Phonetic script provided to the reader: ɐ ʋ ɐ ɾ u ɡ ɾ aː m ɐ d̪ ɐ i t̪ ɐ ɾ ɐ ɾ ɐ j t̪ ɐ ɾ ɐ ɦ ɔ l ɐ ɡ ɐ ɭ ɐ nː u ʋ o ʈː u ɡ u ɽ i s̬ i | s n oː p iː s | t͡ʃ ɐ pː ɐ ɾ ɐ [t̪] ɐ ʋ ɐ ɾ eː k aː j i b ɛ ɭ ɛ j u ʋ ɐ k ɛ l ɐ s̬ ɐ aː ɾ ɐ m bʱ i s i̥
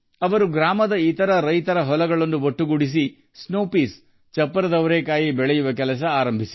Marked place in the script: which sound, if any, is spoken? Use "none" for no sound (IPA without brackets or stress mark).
d̪